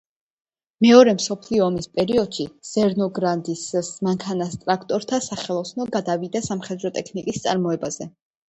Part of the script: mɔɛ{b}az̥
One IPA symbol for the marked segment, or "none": b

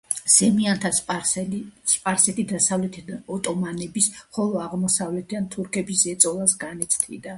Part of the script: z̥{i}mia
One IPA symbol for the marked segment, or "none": ɛ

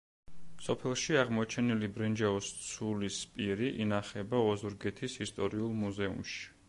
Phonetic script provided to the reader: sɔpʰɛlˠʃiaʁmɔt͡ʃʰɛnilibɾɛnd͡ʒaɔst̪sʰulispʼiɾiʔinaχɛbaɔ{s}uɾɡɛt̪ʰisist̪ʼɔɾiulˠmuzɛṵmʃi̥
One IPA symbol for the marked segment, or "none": z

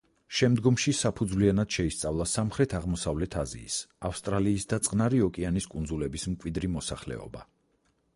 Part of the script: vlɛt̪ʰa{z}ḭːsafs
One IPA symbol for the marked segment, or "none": z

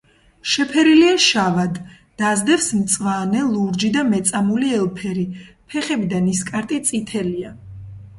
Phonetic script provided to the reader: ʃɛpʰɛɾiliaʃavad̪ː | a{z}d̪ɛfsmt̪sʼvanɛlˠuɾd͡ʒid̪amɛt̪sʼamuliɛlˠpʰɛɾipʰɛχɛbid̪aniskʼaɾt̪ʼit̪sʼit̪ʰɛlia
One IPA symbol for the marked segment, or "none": z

